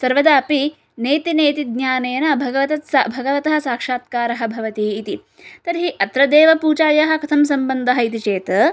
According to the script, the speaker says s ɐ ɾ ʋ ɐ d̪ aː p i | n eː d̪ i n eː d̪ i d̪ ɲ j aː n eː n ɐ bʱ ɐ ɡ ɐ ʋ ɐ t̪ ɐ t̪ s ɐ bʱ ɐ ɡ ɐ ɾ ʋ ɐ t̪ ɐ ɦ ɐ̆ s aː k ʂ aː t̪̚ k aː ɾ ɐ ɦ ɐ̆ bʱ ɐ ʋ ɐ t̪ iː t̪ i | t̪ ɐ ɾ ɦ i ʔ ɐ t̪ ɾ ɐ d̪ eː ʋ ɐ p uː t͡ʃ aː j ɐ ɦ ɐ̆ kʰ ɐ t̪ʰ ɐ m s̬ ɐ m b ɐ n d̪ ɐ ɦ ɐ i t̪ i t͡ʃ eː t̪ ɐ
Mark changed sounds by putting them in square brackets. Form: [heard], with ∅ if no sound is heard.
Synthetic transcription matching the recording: s ɐ ɾ ʋ ɐ d̪ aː p i | n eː [t̪] i n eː [t̪] i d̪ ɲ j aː n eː n ɐ bʱ ɐ ɡ ɐ ʋ ɐ t̪ ɐ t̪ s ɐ bʱ ɐ ɡ ɐ [∅] ʋ ɐ t̪ ɐ ɦ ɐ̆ s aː k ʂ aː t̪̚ k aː ɾ ɐ ɦ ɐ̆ bʱ ɐ ʋ ɐ t̪ iː t̪ i | t̪ ɐ ɾ ɦ i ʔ ɐ t̪ ɾ ɐ d̪ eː ʋ ɐ p uː t͡ʃ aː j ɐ ɦ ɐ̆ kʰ ɐ t̪ʰ ɐ m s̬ ɐ m b ɐ n d̪ ɐ ɦ ɐ i t̪ i t͡ʃ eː t̪ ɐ